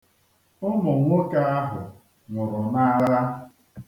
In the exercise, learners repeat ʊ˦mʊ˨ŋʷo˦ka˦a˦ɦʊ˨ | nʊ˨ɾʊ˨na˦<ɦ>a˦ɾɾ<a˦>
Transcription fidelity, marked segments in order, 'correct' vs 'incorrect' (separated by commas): incorrect, correct